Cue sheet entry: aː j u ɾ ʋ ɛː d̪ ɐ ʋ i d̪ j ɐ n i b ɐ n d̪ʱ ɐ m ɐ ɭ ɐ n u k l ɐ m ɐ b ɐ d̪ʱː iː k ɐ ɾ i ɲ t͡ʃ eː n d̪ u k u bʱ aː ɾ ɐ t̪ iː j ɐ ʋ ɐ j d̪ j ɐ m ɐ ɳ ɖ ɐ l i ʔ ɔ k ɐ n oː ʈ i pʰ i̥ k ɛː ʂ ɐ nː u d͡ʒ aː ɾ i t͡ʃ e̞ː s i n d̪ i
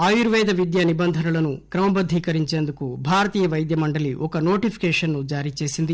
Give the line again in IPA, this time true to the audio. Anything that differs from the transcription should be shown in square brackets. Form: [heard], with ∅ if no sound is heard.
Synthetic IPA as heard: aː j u ɾ ʋ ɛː d̪ ɐ ʋ i d̪ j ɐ n i b ɐ n d̪ʱ ɐ [n] ɐ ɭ ɐ n u k [ɾ] ɐ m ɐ b ɐ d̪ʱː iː k ɐ ɾ i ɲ t͡ʃ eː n d̪ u k u bʱ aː ɾ ɐ t̪ iː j ɐ ʋ ɐ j d̪ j ɐ m ɐ ɳ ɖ ɐ l i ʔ ɔ k ɐ n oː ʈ i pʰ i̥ k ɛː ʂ ɐ nː u d͡ʒ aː ɾ i t͡ʃ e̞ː s i n d̪ i